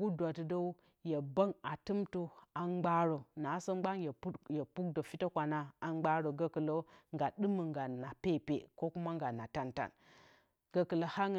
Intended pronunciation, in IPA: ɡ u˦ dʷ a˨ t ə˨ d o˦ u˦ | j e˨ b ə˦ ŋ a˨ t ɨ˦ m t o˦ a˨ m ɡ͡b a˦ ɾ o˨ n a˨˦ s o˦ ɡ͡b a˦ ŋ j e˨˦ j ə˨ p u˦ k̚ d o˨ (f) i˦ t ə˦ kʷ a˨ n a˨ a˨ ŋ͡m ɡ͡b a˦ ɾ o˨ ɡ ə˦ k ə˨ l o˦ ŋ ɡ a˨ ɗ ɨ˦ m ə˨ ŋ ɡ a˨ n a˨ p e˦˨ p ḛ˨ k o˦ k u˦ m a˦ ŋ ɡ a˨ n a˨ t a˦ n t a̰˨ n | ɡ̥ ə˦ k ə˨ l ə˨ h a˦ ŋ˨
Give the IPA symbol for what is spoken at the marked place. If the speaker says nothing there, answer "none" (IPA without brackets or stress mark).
f